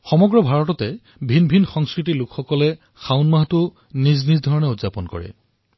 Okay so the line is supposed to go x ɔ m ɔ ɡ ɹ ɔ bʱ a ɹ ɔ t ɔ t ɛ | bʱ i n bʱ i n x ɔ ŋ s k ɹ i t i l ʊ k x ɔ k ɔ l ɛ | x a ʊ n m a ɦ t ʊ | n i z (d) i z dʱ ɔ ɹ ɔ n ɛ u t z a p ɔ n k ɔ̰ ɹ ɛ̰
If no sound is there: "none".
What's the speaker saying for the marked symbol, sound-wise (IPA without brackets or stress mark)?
n